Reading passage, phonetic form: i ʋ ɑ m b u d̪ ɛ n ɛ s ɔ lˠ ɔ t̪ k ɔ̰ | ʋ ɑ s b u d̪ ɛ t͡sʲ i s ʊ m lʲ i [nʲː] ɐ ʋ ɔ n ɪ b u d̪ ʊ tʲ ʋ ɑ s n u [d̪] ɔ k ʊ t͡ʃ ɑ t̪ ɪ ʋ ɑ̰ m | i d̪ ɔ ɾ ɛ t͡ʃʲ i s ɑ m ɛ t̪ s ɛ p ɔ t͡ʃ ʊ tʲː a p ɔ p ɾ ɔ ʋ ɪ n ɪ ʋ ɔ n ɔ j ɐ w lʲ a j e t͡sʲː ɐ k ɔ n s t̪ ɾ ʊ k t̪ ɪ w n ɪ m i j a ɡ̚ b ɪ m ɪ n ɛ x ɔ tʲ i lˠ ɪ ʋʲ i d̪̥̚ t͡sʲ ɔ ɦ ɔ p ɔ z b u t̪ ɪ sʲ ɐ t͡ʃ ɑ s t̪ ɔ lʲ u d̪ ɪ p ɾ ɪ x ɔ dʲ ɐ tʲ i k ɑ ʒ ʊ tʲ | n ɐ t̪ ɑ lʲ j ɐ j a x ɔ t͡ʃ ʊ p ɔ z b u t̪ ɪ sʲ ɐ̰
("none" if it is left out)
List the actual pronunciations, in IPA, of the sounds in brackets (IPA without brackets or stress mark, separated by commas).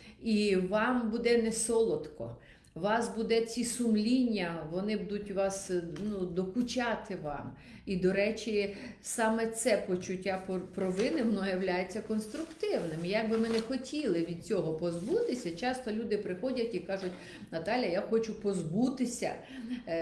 nʲː, d̪